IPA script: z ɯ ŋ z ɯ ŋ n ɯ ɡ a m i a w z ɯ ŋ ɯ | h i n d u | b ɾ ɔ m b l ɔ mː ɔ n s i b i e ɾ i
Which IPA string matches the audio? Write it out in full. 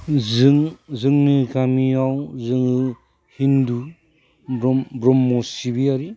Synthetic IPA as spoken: z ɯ ŋ z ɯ ŋ n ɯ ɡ a m i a w z ɯ ŋ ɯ | h i n d u | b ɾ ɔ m b ɾ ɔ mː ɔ s i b i a ɾ i